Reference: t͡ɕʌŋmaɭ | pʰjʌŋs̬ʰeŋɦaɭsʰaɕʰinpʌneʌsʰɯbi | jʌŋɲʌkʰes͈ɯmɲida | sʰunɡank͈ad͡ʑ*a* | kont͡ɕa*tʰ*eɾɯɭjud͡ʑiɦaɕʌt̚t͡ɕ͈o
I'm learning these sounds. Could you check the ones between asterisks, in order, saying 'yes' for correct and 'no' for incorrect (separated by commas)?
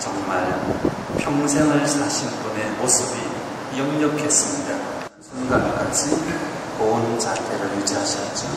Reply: no, yes